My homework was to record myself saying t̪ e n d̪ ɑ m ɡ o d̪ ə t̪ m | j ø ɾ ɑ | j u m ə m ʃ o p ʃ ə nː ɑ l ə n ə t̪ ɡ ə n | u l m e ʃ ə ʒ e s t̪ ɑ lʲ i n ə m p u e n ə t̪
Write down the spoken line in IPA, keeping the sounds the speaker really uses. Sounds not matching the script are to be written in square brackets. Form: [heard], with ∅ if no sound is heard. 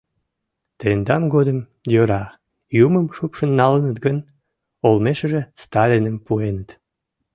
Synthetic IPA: t̪ e n d̪ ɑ m ɡ o d̪ ə [∅] m | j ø ɾ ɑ | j u m ə m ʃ [u] p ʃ ə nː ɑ l ə n ə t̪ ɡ ə n | [o] l m e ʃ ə ʒ e s t̪ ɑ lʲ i n ə m p u e n ə t̪